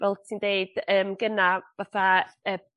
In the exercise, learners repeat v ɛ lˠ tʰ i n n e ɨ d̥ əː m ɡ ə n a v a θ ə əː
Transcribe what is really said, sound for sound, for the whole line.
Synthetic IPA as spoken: v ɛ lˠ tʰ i n d e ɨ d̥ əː m ɡ ə n a v a θ a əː

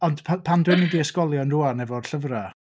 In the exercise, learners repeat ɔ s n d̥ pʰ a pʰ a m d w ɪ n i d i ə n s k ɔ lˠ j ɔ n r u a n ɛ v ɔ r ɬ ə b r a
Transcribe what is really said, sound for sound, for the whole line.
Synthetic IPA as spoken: ɔ n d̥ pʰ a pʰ a n d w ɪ n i d i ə s k ɔ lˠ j ɔ n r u a n ɛ v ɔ r ɬ ə v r a

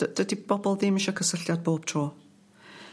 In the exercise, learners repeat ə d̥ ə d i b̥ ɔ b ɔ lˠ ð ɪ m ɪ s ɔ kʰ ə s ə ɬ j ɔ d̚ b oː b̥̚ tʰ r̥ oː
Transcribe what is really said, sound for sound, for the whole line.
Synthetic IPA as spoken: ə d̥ ə d i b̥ ɔ b ɔ lˠ ð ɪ m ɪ ʃ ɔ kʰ ə s ə ɬ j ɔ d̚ b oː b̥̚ tʰ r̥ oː

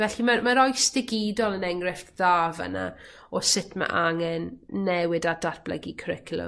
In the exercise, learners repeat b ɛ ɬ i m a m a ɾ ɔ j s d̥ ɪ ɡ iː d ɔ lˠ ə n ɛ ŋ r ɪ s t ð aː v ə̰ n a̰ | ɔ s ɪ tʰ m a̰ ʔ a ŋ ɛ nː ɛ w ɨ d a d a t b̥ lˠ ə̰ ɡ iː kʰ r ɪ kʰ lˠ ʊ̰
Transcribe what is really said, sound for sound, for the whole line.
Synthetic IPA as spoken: v ɛ ɬ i m a m a ɾ ɔ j s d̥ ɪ ɡ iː d ɔ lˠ ə n ɛ ŋ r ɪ f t ð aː v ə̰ n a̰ | ɔ s ɪ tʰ m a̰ ʔ a ŋ ɛ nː ɛ w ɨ d a d a t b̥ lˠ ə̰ ɡ i kʰ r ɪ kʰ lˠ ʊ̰

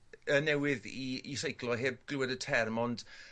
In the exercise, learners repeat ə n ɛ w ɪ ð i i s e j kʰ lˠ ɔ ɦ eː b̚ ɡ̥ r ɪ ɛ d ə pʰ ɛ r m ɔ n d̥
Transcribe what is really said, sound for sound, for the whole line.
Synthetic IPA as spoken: ə n ɛ w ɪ ð i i s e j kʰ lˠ ɔ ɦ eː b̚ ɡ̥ l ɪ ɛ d ə tʰ ɛ r m ɔ n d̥

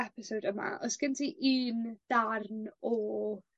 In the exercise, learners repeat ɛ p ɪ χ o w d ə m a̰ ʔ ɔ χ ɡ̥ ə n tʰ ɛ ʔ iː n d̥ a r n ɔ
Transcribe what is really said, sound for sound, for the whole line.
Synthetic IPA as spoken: ɛ p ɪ s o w d ə m a̰ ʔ ɔ s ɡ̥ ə n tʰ i ʔ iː n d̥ a r n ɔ

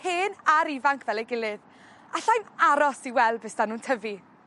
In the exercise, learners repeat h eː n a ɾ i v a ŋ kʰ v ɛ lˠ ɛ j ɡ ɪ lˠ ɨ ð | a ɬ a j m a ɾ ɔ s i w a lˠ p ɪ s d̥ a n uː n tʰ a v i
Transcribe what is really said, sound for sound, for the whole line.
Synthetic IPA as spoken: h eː n a ɾ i v a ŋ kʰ v ɛ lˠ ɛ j ɡ ɪ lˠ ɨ ð | a ɬ a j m a ɾ ɔ s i w ɛ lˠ b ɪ s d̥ a n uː n tʰ ə v i

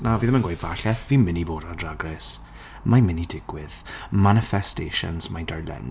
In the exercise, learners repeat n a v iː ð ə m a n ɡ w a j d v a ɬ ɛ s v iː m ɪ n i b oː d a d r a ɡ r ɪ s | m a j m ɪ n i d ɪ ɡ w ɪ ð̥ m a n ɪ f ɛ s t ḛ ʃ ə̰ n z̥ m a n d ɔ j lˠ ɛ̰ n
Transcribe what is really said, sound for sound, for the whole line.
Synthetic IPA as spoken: n a v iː ð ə m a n ɡ w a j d v a ɬ ɛ θ v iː m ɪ n i b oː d a d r a ɡ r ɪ s | m a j m ɪ n i d ɪ ɡ w ɪ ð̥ m a n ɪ f ɛ s t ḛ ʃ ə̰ n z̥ m a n d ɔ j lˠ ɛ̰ n

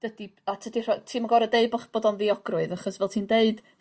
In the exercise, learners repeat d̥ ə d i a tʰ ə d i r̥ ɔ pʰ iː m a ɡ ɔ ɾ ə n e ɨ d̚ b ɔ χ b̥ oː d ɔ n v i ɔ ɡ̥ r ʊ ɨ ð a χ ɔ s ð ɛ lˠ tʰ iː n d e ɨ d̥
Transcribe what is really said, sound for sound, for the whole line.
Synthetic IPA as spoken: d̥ ə d i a tʰ ə d i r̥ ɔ tʰ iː m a ɡ ɔ ɾ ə d e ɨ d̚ b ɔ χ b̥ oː d ɔ n v i ɔ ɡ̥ r ʊ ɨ ð a χ ɔ s v ɛ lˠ tʰ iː n d e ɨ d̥

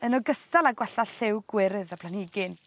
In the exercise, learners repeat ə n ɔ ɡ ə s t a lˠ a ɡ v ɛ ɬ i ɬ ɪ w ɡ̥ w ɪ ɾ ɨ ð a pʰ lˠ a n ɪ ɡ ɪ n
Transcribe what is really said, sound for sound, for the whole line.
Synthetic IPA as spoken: ə n ɔ ɡ ə s t a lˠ a ɡ w ɛ ɬ a ɬ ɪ w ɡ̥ w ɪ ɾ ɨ ð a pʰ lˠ a n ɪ ɡ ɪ n

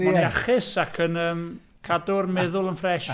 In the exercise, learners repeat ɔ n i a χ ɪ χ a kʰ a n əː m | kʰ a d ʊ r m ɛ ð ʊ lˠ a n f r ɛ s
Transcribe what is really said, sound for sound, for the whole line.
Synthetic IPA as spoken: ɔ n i a χ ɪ s a kʰ ə n əː m | kʰ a d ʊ r m ɛ ð ʊ lˠ ə n f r ɛ ʃ

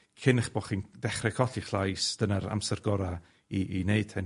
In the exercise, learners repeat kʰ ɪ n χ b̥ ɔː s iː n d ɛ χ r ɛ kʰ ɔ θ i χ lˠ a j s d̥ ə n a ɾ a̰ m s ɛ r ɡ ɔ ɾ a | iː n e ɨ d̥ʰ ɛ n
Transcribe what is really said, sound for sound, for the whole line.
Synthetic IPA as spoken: kʰ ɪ n χ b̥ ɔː χ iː n d ɛ χ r ɛ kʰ ɔ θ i χ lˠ a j s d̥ ə n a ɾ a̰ m s ɛ r ɡ ɔ ɾ a | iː n e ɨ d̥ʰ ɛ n

